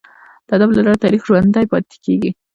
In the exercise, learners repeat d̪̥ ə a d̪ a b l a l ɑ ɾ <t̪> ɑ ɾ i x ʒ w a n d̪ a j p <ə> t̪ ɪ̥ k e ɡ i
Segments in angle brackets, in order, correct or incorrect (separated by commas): correct, incorrect